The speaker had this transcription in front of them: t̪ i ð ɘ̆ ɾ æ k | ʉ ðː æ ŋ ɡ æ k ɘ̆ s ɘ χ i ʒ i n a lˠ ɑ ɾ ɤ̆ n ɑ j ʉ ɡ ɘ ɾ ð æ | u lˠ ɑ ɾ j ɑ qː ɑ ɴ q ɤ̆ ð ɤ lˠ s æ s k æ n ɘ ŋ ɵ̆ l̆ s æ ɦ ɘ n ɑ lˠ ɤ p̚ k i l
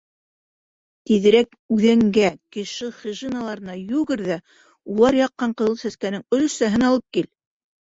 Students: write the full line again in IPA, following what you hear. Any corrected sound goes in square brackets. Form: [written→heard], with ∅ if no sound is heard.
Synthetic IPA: t̪ i ð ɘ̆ ɾ æ k | ʉ [ðː→ð] æ ŋ ɡ æ k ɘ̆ [s→ʃ] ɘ χ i ʒ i n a lˠ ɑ ɾ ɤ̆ n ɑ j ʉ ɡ ɘ ɾ ð æ | u lˠ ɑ ɾ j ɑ qː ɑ ɴ q ɤ̆ ð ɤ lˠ s æ s k æ n ɘ ŋ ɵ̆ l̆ s æ ɦ ɘ n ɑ lˠ ɤ p̚ k i l